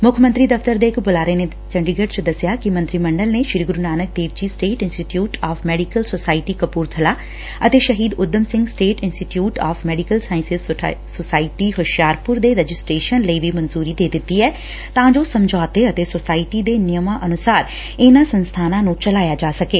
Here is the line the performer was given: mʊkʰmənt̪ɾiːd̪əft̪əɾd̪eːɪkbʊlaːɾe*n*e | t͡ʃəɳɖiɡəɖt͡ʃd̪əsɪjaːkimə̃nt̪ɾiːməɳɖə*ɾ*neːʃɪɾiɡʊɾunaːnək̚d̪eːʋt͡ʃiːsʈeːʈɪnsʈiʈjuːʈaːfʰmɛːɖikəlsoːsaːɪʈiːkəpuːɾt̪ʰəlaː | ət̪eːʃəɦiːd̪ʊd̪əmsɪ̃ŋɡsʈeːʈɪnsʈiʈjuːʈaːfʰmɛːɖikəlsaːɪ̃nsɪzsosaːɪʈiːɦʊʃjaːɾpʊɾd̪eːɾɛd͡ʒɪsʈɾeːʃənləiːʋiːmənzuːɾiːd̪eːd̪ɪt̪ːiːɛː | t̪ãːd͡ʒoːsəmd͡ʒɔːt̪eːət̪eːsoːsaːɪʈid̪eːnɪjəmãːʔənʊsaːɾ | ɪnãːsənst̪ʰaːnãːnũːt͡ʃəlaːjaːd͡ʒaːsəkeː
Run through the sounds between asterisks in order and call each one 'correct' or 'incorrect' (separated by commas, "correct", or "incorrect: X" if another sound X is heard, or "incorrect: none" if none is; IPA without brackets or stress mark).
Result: correct, incorrect: l